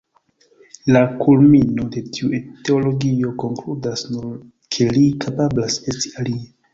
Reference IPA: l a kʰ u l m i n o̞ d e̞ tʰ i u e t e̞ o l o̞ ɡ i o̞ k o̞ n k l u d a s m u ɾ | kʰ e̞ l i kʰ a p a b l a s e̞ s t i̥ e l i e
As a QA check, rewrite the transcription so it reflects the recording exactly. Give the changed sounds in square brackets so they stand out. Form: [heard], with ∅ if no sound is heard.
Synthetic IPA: l a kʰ u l m i n o̞ d e̞ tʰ i u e t e̞ o l o̞ ɡ i o̞ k o̞ [ŋ] k l u d a s [n] u ɾ | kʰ e̞ l i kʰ a p a b l a s e̞ s t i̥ [a] l i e